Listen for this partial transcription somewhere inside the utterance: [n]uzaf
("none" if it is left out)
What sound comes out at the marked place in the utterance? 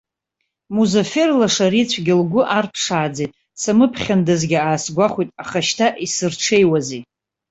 m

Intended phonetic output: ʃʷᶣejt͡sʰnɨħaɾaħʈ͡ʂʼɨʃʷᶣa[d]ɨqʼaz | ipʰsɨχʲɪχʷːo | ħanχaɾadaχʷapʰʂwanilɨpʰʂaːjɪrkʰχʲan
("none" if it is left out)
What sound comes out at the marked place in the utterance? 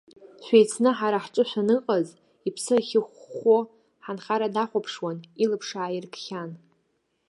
n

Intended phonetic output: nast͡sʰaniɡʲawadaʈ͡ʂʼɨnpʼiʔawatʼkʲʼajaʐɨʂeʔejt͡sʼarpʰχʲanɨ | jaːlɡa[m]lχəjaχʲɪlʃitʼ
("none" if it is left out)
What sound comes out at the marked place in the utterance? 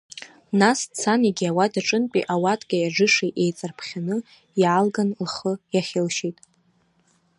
n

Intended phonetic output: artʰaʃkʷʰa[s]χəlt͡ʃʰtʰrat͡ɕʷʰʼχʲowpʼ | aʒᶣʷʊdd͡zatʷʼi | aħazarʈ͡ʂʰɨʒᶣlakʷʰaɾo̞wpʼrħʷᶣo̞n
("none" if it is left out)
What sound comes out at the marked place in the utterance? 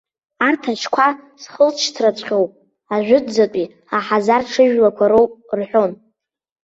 s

